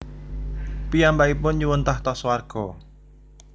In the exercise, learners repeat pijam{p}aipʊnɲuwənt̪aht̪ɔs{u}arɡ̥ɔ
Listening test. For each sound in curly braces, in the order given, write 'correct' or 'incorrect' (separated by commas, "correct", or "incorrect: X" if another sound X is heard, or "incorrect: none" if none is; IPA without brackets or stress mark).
incorrect: b, incorrect: w